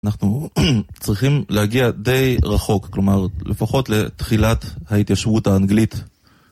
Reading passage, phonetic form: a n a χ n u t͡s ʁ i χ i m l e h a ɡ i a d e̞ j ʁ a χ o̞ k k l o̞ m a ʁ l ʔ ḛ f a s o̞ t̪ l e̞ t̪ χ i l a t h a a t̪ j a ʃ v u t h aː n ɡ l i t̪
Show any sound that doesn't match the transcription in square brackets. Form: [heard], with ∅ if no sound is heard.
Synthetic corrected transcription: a n a χ n u t͡s ʁ i χ i m l e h a ɡ i a d e̞ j ʁ a χ o̞ k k l o̞ m a ʁ l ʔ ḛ f a [χ] o̞ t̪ l e̞ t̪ χ i l a t h a [i] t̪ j a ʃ v u t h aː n ɡ l i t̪